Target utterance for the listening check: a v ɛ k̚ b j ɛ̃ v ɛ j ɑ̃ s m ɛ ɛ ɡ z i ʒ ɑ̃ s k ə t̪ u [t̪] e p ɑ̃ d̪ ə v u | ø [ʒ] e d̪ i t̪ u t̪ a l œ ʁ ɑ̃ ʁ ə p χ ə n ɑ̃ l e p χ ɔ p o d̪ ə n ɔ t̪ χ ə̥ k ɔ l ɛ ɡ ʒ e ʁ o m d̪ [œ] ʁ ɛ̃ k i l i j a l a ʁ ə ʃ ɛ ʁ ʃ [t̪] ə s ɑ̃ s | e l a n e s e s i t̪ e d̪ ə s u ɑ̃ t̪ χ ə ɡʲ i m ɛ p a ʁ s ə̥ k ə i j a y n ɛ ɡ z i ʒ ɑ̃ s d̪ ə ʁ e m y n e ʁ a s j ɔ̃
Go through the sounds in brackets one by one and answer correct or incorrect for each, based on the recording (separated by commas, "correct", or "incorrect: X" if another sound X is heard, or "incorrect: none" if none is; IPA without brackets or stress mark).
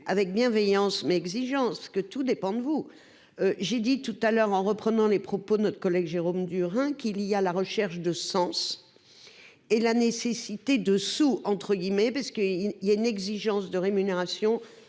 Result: incorrect: d̪, correct, incorrect: y, incorrect: d̪